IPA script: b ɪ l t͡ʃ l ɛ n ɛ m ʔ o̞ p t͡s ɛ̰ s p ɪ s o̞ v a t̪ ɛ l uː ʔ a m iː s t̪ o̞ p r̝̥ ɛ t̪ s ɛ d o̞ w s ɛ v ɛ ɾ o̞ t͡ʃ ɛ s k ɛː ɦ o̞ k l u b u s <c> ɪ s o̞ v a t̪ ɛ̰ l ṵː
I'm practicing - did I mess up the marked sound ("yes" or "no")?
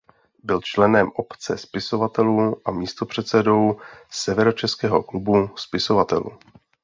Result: yes